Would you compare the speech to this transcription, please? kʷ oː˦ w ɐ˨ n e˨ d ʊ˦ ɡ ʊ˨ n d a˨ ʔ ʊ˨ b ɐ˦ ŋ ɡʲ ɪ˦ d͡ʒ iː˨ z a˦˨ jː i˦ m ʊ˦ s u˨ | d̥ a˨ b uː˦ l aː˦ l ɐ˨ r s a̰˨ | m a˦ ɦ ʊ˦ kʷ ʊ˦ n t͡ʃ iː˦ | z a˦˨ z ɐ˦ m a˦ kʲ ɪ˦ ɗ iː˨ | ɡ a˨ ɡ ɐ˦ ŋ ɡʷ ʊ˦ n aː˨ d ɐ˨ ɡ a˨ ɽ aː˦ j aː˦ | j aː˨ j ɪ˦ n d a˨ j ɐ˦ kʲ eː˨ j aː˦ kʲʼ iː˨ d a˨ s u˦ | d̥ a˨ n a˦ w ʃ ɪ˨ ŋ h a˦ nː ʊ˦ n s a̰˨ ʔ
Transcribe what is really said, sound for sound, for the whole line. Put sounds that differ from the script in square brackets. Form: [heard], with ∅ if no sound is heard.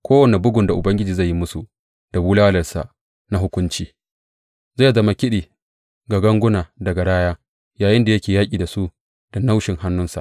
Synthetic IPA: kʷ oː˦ w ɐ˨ n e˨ [b] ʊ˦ ɡ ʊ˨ n d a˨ ʔ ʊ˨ b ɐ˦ ŋ ɡʲ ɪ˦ d͡ʒ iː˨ z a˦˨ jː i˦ m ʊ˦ s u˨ | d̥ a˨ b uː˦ l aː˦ l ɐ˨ r s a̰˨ | [n] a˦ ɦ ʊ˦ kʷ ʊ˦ n t͡ʃ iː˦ | z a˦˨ z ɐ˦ m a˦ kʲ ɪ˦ ɗ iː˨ | ɡ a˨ ɡ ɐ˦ ŋ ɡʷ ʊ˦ n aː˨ d ɐ˨ ɡ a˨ ɽ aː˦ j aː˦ | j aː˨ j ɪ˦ n d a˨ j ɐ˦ kʲ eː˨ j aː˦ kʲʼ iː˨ d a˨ s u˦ | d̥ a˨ n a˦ w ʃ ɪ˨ ŋ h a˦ nː ʊ˦ n s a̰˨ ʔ